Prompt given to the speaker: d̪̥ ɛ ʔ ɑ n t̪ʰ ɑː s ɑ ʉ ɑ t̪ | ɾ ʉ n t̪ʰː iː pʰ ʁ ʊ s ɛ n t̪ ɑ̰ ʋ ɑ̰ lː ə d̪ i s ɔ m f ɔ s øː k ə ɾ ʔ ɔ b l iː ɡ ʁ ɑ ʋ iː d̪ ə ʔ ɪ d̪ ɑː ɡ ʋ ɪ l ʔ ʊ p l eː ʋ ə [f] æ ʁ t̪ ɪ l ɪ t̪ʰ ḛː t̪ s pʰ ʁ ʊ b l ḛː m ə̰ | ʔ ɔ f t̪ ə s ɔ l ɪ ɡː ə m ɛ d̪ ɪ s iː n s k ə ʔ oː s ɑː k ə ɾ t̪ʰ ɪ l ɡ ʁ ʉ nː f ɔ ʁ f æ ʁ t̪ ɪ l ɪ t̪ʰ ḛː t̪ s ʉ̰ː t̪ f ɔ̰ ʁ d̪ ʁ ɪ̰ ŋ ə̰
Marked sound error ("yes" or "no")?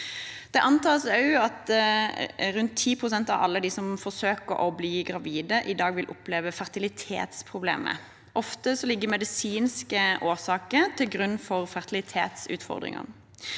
no